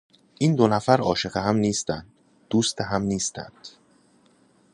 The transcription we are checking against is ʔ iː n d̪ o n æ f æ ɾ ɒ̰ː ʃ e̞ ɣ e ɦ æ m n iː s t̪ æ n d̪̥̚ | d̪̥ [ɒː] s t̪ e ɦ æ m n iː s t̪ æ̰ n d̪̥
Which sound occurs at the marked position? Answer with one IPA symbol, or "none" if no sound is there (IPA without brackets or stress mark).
uː